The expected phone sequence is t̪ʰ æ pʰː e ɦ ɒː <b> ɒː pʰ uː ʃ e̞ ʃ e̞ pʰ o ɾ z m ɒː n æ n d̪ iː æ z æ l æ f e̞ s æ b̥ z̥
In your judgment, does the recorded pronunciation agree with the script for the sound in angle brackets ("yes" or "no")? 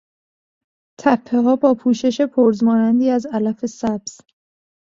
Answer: yes